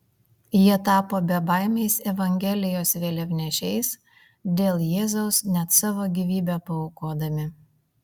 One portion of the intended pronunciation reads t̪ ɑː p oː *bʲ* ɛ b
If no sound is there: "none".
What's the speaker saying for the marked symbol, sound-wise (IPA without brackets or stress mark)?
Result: bʲ